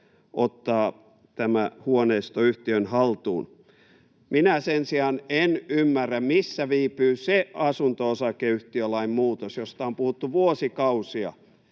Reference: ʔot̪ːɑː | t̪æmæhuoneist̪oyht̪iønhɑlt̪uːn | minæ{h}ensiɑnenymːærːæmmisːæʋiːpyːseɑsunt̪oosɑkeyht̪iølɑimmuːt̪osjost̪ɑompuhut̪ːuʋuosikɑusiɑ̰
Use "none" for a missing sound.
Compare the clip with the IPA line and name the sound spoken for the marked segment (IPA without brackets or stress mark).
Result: s